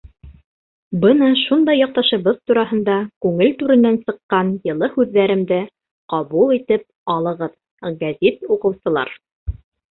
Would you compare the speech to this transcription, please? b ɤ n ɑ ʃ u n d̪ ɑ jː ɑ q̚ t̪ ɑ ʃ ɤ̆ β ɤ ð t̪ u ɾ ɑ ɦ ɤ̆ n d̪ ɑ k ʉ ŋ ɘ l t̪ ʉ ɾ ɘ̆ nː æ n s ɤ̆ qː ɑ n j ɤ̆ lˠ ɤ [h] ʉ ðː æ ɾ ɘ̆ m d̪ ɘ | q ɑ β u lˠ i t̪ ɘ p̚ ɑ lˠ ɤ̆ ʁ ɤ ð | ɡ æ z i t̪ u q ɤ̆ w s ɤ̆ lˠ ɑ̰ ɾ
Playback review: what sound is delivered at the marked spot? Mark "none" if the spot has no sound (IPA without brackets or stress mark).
h